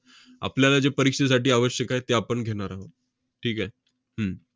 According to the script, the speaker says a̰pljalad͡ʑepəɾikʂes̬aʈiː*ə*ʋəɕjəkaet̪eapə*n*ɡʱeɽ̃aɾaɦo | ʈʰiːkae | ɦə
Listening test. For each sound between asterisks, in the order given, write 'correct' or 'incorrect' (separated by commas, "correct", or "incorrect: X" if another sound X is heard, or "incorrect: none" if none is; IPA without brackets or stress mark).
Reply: incorrect: a, incorrect: ɳ